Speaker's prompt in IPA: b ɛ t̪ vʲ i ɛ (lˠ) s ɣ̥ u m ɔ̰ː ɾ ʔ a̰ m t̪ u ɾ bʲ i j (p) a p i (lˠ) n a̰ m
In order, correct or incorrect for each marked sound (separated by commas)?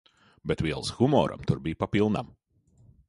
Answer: correct, correct, correct